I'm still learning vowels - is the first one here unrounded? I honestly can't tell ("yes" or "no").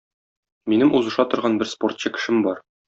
yes